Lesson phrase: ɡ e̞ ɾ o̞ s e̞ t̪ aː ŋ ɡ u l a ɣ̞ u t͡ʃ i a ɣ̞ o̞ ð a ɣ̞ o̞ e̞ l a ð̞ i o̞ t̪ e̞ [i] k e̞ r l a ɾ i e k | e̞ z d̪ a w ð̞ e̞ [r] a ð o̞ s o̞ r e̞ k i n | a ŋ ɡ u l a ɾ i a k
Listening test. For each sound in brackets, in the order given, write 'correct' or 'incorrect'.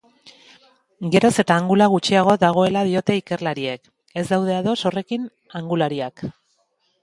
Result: correct, incorrect: none

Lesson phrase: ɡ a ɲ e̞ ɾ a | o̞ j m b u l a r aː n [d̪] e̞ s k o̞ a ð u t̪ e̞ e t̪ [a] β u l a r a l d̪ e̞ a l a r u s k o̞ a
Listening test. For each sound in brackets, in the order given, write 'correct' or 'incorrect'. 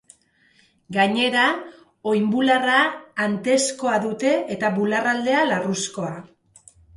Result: incorrect: t̪, correct

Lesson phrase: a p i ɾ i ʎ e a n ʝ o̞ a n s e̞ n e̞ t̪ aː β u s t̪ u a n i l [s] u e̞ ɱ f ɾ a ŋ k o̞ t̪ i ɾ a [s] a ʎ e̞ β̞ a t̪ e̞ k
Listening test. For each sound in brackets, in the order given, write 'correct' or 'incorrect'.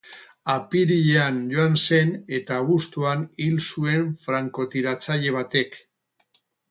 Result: correct, incorrect: t͡s

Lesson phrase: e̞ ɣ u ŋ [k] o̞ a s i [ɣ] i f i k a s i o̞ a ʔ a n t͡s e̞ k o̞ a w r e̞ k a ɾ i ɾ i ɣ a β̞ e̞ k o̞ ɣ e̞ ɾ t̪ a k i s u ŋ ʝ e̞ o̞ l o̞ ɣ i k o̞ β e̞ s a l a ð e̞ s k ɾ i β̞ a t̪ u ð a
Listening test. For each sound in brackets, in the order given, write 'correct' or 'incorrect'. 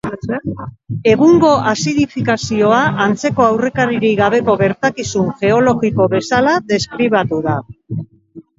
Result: incorrect: ɡ, incorrect: ð

